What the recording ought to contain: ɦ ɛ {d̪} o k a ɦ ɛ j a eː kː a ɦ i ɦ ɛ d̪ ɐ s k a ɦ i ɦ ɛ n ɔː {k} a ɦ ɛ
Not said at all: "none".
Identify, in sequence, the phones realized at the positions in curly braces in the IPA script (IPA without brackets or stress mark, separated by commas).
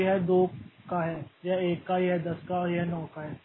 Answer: d̪, k